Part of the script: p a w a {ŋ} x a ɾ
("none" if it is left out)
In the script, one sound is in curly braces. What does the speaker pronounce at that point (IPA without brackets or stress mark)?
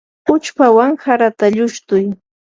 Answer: ŋ